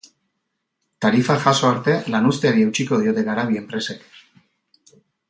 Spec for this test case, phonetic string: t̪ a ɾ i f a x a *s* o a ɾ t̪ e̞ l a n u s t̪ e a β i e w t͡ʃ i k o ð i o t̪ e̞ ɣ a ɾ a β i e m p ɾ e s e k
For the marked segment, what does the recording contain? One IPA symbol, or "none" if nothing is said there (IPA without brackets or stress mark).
s